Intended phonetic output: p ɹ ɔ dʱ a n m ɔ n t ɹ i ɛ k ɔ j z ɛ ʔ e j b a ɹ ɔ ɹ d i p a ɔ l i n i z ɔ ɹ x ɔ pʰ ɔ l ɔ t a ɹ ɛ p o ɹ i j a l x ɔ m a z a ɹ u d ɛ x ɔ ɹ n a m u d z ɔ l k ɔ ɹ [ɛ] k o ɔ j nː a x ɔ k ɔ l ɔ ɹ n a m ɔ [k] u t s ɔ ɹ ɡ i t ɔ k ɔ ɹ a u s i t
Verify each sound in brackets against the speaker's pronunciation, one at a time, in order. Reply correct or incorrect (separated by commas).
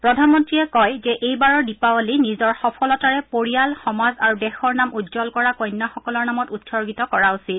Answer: incorrect, incorrect